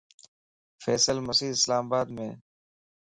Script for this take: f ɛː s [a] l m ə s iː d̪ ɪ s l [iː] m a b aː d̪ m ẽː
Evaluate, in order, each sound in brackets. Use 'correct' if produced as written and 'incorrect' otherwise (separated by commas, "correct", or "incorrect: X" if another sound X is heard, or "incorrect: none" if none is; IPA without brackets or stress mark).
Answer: incorrect: ə, incorrect: aː